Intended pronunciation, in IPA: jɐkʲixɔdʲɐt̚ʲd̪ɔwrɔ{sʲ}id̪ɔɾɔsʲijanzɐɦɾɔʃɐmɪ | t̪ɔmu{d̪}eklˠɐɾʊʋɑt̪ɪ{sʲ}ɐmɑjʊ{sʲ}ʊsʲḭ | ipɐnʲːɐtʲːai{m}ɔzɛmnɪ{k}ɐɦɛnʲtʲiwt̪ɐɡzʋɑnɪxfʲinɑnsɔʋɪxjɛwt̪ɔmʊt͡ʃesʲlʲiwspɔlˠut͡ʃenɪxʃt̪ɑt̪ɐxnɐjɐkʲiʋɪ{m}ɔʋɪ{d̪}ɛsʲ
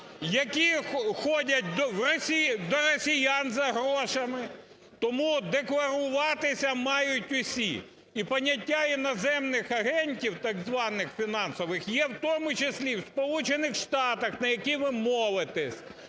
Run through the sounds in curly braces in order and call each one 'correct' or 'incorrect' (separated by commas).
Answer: correct, correct, correct, incorrect, incorrect, incorrect, correct, incorrect